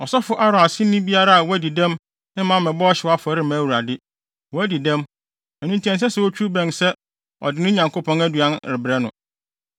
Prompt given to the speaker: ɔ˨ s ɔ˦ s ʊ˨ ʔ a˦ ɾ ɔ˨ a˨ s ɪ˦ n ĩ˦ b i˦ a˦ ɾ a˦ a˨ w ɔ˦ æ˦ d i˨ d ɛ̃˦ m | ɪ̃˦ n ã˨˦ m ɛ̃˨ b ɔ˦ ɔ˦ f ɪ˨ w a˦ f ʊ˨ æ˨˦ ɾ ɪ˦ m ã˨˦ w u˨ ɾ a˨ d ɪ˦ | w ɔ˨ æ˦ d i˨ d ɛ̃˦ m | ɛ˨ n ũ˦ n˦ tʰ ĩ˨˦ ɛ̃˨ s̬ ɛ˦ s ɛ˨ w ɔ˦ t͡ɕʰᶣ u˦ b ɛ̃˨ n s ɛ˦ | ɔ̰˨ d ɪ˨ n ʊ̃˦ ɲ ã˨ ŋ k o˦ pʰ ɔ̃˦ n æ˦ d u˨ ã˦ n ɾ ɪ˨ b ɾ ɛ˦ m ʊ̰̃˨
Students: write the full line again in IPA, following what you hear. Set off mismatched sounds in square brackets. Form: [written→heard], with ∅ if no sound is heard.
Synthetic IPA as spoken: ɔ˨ s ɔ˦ [s→f] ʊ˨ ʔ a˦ ɾ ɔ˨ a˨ s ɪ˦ n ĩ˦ b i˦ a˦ ɾ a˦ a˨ w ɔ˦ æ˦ d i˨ d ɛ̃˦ m | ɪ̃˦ [n→m] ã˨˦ m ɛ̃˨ b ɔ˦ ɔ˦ [f→ɕ] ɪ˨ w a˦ f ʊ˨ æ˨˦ ɾ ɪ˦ m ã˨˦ w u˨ ɾ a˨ d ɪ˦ | w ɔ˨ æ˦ d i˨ d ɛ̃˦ m | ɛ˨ n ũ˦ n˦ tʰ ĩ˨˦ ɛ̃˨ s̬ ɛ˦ s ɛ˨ w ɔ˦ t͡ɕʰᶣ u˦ b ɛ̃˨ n s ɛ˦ | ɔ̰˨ d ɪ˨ n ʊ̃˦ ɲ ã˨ ŋ k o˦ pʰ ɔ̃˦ n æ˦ d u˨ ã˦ n ɾ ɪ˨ b ɾ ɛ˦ [m→n] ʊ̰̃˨